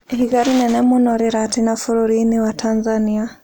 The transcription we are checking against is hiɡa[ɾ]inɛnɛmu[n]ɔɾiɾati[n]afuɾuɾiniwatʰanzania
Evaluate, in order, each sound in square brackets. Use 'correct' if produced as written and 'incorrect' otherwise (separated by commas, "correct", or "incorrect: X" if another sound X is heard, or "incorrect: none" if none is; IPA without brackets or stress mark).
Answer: correct, correct, correct